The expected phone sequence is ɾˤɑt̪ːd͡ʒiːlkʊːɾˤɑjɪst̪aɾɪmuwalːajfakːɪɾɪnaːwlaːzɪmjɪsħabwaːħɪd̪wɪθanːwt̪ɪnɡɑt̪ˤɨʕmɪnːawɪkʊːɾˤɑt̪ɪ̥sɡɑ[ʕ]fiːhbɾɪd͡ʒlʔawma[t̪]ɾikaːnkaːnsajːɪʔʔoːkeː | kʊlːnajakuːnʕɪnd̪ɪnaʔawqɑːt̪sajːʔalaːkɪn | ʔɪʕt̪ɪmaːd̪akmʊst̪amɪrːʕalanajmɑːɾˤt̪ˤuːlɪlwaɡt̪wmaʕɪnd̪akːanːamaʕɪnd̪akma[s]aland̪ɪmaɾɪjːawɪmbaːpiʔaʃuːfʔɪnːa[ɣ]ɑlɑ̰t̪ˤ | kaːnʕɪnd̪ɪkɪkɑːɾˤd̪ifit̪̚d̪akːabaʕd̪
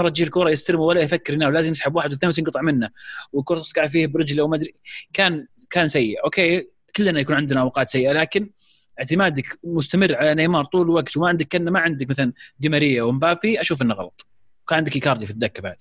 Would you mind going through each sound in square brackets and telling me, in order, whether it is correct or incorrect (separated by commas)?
correct, incorrect, incorrect, correct